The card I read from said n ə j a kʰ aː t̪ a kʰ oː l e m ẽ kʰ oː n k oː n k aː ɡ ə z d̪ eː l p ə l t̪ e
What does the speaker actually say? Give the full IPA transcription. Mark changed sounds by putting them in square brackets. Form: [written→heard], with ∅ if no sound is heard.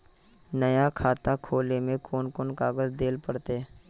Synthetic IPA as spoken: n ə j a kʰ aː t̪ a kʰ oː l e m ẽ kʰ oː n k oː n k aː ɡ ə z d̪ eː l p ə [l→ɽ] t̪ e